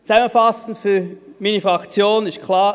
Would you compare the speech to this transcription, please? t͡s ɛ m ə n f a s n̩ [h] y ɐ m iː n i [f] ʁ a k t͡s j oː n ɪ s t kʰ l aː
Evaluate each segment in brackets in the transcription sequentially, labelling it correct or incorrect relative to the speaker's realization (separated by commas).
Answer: incorrect, correct